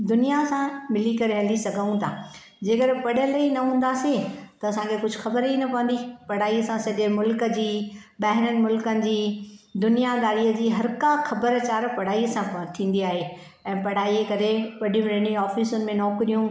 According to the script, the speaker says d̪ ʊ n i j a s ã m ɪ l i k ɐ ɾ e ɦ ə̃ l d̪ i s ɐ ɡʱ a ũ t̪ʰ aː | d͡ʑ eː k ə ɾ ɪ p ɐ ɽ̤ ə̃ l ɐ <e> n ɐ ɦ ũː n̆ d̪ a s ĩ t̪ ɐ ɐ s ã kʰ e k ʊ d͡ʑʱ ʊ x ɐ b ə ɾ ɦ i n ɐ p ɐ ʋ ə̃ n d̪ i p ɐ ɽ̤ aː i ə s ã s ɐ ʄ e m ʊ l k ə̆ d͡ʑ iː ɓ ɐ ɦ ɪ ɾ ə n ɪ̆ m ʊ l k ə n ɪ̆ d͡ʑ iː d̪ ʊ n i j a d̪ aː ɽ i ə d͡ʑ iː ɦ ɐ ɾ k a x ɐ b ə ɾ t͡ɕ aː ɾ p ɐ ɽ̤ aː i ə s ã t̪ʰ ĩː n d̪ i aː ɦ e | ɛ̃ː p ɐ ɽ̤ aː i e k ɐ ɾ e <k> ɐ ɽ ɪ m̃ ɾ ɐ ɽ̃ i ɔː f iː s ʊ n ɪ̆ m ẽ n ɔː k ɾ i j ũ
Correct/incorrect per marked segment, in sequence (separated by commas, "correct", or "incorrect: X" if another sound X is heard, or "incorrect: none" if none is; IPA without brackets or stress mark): incorrect: i, incorrect: p